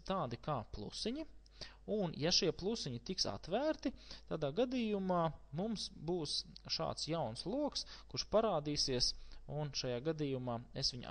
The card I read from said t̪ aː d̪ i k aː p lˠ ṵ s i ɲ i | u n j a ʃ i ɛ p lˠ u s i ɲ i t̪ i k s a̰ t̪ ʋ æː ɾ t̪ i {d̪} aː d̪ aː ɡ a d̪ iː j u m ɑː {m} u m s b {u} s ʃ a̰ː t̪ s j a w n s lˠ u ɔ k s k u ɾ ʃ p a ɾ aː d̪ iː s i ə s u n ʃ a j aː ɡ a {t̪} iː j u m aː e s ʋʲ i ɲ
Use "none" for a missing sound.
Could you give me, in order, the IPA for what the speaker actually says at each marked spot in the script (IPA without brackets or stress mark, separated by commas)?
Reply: t̪, m, uː, d̪